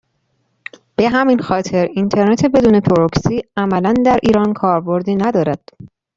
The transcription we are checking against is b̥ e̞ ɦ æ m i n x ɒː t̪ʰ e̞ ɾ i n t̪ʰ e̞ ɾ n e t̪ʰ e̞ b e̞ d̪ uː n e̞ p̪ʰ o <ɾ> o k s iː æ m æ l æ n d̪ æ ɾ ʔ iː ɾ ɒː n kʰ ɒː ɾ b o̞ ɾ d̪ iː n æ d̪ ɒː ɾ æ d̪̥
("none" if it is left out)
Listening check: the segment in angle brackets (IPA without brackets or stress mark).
ɾ